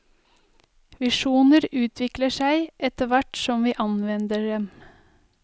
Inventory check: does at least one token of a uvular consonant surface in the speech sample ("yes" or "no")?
no